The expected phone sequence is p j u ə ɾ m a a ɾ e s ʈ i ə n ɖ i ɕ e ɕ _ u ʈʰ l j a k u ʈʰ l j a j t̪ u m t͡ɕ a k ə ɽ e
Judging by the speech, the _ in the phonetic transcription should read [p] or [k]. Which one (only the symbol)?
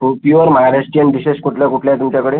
k